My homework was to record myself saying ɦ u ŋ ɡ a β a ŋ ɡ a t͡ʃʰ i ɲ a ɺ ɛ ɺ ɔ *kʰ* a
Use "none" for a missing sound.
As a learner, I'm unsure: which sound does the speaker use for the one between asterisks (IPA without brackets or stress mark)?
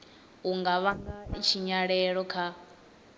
kʰ